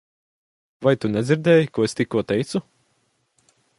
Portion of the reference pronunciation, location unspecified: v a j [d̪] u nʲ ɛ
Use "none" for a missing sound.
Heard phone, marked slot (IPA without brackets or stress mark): t̪